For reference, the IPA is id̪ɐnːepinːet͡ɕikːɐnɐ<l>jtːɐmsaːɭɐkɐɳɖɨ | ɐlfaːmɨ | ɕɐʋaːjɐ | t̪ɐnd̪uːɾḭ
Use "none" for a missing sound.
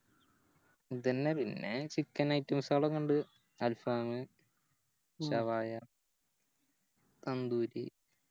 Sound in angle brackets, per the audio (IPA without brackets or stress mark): none